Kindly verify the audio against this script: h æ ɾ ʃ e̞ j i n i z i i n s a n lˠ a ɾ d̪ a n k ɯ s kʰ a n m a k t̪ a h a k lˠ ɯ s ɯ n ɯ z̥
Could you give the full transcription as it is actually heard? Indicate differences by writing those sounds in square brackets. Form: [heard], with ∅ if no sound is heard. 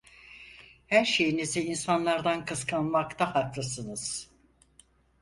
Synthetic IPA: h æ ɾ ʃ e̞ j i n i z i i n s a n lˠ a ɾ d̪ a n k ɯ s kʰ a n m a k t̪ a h a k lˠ ɯ s ɯ n ɯ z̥